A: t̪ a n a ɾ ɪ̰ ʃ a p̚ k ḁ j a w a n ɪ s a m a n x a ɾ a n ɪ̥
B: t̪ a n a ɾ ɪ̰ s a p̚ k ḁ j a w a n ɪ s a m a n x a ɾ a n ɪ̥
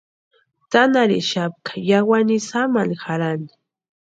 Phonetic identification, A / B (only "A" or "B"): A